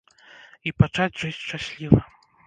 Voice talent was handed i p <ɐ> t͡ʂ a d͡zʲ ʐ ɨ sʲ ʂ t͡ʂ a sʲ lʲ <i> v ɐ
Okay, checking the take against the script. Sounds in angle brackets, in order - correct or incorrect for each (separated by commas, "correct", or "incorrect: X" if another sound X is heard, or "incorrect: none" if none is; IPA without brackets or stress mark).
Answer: incorrect: a, correct